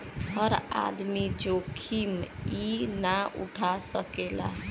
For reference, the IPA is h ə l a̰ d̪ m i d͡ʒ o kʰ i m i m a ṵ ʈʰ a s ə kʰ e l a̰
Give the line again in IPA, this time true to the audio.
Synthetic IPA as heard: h ə ɾ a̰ d̪ m i d͡ʒ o kʰ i m i n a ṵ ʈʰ a s ə k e l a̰